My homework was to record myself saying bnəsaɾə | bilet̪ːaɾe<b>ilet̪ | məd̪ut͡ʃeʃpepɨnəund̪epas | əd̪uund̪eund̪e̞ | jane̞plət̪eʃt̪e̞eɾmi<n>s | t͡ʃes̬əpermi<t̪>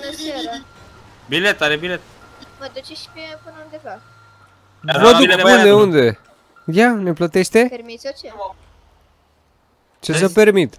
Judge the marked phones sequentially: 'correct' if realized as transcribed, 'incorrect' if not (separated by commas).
correct, incorrect, correct